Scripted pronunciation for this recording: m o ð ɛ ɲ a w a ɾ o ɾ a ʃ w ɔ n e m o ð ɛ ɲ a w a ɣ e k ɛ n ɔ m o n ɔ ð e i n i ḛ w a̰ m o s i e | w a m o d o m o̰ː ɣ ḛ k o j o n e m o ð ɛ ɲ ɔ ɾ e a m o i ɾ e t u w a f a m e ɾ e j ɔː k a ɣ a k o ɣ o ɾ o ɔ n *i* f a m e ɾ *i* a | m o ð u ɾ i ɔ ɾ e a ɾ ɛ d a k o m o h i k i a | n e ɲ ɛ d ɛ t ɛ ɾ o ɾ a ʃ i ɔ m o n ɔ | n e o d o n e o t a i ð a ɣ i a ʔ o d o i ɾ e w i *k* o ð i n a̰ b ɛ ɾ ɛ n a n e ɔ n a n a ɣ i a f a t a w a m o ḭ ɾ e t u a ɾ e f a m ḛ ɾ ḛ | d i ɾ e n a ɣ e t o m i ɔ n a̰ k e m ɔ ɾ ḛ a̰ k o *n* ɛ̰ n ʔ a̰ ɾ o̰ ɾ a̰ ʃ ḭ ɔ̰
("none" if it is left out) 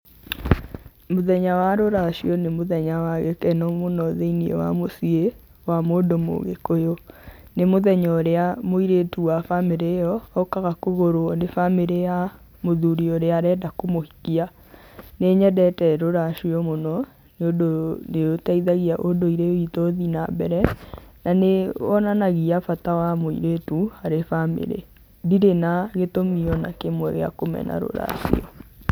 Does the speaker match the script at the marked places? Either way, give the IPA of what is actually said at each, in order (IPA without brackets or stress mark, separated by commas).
e, e, t, m